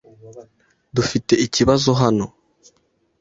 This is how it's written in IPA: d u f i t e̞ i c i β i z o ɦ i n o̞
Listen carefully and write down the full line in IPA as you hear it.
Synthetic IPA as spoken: d u f i t e̞ i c i β a z o ɦ a n o̞